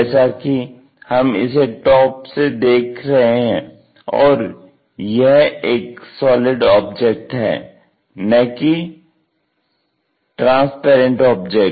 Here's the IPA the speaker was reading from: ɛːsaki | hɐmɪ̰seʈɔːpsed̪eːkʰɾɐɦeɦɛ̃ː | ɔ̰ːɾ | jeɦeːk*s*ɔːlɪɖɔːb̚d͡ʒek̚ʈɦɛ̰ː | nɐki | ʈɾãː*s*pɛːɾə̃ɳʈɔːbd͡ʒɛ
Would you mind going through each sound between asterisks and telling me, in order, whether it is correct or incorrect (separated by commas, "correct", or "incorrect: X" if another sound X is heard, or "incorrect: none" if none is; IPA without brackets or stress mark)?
correct, correct